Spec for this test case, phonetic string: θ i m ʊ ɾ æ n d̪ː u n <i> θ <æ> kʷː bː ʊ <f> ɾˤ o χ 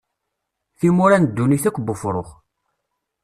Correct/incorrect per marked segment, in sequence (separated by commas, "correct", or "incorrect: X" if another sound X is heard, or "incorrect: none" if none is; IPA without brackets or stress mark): correct, correct, correct